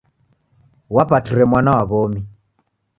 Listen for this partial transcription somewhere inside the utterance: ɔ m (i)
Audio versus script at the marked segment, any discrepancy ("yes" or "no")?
no